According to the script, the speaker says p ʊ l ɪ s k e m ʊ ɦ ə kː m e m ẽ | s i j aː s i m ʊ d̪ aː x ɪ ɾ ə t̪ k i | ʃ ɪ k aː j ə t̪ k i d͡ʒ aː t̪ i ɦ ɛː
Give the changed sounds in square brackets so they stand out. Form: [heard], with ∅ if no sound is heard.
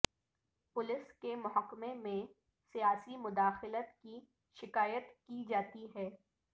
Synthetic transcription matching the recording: p ʊ l ɪ s k e m ʊ ɦ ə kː m e m ẽ | s i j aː s i m ʊ d̪ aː x ɪ [l] ə t̪ k i | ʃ ɪ k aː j ə t̪ k i d͡ʒ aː t̪ i ɦ ɛː